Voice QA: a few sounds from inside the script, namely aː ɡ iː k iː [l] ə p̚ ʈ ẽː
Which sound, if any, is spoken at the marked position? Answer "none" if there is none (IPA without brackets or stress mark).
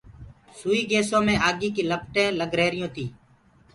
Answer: l